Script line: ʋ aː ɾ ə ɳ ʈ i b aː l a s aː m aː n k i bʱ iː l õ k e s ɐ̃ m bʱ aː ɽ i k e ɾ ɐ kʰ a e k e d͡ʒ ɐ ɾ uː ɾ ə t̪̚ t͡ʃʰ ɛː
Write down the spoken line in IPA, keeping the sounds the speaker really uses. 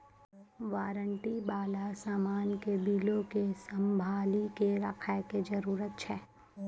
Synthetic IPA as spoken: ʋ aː ɾ ə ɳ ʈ i b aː l a s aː m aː n k e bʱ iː l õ k e s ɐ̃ m bʱ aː l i k e ɾ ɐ kʰ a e k e d͡ʒ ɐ ɾ uː ɾ ə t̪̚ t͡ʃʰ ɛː